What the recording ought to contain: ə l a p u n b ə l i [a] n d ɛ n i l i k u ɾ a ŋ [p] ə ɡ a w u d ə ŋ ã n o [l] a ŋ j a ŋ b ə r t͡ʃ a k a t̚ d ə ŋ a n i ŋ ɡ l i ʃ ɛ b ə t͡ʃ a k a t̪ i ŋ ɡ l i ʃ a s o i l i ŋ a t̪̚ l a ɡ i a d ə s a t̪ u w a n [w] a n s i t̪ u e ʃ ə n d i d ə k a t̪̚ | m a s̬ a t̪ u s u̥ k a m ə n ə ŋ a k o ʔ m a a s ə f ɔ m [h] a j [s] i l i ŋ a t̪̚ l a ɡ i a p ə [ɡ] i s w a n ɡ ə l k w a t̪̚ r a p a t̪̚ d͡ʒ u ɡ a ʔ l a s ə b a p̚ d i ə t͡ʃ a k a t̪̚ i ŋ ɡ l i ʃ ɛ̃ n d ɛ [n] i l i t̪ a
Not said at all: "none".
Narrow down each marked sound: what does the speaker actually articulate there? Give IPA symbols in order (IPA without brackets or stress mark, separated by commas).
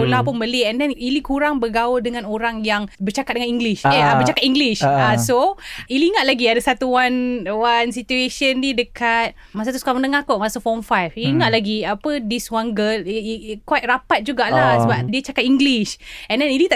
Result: ɛ, b, ɾ, w, f, f, d, n